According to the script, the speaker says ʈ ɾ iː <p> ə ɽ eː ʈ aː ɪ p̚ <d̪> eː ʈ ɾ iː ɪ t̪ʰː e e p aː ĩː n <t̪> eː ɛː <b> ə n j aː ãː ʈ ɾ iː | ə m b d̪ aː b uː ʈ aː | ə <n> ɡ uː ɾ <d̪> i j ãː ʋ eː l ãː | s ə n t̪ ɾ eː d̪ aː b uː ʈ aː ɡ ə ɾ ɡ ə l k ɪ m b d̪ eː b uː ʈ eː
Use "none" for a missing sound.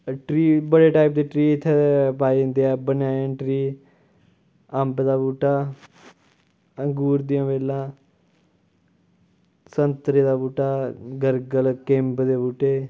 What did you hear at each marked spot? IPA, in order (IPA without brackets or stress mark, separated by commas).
b, d̪, d̪, b, ŋ, d̪